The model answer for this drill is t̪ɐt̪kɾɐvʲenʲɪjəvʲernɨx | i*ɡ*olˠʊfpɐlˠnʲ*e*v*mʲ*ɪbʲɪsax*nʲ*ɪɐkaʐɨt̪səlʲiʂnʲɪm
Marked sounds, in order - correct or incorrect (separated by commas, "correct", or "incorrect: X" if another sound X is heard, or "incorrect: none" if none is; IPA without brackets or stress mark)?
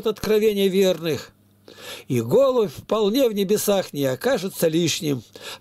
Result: correct, correct, incorrect: nʲ, correct